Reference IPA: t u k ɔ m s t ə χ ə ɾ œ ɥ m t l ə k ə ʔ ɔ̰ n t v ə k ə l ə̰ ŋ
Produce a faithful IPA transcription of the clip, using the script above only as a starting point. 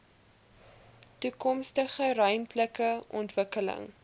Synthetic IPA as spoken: t u k ɔ m s t ə χ ə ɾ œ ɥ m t l ə k ə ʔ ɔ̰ n t v ə k ə l ə̰ ŋ